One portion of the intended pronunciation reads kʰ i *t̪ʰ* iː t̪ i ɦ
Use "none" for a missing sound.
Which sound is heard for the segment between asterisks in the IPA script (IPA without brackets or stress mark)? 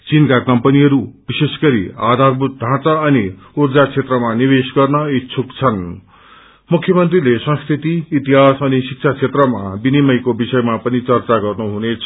t̪